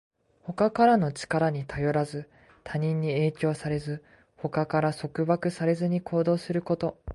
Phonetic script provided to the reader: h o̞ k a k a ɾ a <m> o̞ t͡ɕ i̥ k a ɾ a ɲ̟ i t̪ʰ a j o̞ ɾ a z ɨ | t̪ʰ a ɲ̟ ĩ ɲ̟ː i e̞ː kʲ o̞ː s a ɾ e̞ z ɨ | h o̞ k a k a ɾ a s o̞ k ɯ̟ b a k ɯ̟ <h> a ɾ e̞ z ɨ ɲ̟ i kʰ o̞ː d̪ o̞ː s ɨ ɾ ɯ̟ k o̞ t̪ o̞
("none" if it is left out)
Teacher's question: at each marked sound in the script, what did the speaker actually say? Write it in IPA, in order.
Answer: n, s

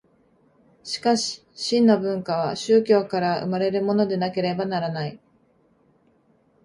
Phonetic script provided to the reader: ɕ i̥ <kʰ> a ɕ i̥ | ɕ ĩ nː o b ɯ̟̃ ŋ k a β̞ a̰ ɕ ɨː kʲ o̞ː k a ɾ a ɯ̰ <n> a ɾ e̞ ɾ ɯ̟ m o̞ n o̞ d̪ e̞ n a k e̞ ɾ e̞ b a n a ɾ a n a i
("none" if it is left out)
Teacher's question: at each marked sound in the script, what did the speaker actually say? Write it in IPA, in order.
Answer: k, m

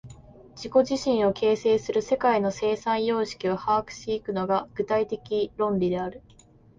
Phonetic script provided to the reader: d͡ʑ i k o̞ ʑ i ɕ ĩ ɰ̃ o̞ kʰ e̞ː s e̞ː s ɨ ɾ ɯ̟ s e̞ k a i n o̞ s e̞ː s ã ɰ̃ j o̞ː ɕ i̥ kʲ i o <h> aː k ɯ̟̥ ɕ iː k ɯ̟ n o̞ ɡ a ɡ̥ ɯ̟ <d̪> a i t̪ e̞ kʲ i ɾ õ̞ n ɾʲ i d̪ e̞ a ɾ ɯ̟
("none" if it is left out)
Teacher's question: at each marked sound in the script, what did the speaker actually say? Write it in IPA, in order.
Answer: h, t̪

